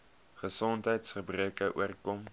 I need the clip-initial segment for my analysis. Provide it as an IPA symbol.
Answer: χ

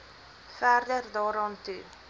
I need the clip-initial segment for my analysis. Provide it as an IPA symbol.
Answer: f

